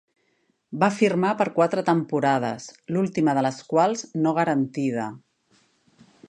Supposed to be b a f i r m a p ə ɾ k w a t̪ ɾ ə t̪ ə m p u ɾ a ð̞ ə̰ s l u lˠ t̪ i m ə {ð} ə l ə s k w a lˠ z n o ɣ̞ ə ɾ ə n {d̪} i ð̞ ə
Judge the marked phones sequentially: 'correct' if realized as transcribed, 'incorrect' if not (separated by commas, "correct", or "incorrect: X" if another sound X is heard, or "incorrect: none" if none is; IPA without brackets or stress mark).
correct, incorrect: t̪